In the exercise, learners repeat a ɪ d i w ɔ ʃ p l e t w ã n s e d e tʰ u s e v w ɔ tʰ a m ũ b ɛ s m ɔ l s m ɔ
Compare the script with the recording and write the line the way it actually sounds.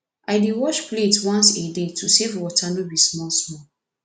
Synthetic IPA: a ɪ d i w ɔ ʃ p l e t w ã n s e d e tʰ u s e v w ɔ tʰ a n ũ b i s m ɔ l s m ɔ